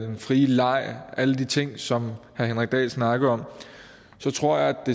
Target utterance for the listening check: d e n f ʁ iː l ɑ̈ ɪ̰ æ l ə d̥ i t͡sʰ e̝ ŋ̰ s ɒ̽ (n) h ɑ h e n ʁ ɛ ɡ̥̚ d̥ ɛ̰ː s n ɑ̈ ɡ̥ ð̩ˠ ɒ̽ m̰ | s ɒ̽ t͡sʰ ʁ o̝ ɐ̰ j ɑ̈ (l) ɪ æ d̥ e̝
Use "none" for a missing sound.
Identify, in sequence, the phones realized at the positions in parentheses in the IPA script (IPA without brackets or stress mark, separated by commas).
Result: m, none